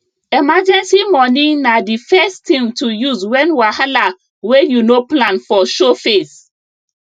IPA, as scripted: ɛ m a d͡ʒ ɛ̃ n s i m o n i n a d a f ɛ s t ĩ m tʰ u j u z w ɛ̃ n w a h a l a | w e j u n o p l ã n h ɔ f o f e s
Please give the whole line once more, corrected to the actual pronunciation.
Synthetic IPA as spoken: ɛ m a d͡ʒ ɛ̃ n s i m ɔ n i n a d i f ɛ s t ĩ m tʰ u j u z w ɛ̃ n w a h a l a | w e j u n o p l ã n f ɔ ʃ o f e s